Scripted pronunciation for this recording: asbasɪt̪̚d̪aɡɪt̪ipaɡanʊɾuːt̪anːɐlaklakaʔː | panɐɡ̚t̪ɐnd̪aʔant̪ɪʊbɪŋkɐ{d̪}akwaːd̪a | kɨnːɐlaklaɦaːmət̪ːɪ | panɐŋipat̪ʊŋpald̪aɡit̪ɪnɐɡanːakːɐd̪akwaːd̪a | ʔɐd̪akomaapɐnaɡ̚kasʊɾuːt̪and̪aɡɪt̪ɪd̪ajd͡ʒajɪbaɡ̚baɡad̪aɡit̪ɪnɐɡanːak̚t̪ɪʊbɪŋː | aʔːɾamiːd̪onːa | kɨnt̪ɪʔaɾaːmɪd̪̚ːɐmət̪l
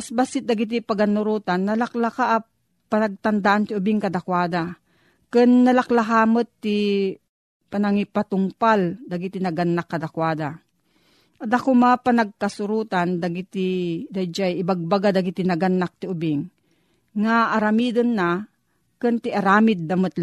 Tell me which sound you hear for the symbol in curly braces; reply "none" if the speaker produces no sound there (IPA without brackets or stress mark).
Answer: d̪